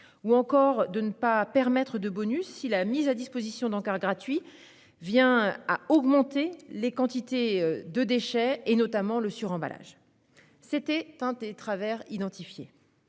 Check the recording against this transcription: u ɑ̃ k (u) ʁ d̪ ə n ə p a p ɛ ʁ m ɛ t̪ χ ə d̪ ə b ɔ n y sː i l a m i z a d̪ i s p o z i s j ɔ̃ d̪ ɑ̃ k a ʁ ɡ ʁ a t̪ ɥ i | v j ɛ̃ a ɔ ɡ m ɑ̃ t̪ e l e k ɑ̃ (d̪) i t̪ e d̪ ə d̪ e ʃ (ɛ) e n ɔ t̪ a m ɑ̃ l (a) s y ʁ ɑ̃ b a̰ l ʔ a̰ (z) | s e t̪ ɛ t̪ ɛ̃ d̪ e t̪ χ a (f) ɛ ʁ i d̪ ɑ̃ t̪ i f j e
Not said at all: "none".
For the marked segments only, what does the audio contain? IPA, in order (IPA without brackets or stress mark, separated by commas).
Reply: ɔ, t̪, ɛ, ə, ʒ, v